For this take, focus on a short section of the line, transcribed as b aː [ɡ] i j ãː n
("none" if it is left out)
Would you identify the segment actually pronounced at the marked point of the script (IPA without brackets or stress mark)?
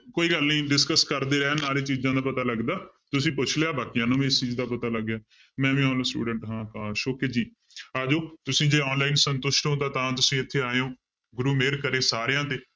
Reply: k